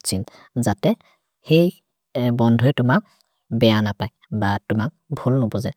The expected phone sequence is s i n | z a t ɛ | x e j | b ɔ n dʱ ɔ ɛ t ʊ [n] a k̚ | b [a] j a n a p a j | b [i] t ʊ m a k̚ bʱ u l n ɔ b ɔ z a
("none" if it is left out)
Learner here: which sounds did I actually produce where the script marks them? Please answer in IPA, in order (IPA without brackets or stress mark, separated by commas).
m, ɛ, a